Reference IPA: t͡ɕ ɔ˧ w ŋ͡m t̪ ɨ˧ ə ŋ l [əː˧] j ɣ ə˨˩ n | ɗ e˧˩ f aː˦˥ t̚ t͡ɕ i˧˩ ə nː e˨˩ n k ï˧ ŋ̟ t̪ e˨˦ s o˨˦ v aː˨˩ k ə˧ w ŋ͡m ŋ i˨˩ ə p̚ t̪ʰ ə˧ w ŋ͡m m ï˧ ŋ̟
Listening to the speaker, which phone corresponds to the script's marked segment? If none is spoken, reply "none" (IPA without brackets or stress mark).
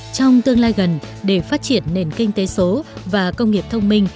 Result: aː˧